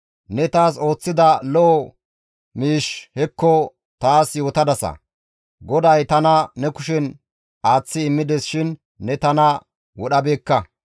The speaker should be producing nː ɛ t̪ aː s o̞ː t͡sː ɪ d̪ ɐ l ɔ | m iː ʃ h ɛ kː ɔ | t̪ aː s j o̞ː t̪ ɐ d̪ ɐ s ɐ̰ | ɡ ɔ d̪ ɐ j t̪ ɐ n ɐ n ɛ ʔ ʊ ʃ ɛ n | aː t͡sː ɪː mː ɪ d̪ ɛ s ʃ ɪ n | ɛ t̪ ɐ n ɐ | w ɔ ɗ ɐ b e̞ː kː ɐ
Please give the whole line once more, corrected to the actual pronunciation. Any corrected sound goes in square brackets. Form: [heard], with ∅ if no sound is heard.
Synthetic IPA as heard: [n] ɛ t̪ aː s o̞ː t͡sː ɪ d̪ ɐ l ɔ | m iː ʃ h ɛ kː ɔ | t̪ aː s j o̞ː t̪ ɐ d̪ ɐ s ɐ̰ | ɡ ɔ d̪ ɐ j t̪ ɐ n ɐ n ɛ [k] ʊ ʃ ɛ n | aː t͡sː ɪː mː ɪ d̪ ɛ s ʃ ɪ [nː] | ɛ t̪ ɐ n ɐ | w ɔ ɗ ɐ b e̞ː kː ɐ